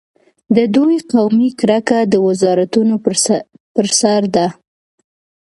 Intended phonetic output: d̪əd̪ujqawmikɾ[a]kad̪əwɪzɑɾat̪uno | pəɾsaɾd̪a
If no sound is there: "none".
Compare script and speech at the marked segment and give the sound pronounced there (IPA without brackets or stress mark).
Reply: a